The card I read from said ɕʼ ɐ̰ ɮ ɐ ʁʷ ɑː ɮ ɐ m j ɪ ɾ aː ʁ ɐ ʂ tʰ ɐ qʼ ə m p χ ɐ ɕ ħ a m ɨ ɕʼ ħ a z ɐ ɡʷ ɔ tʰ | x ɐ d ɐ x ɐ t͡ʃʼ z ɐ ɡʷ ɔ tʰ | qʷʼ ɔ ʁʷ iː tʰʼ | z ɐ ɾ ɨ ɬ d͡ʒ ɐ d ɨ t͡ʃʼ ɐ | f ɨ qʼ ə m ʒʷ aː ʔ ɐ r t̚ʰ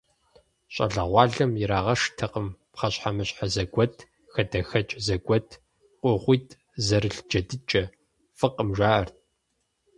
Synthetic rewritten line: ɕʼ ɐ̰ ɮ ɐ ʁʷ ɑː ɮ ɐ m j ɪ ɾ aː ʁ ɐ ʂ tʰ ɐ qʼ ə m p χ ɐ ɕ ħ a m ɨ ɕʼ ħ a z ɐ ɡʷ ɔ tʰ | x ɐ d ɐ x ɐ t͡ʃʼ z ɐ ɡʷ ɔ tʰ | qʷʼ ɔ ʁʷ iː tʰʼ | z ɐ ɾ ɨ ɬ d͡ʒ ɐ d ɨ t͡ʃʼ ɐ | f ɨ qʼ ə m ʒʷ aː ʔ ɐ r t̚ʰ